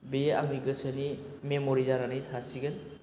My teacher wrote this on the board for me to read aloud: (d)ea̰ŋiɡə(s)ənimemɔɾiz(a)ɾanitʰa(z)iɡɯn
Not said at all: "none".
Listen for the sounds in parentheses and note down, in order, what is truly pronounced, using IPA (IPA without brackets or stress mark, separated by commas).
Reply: b, s, a, s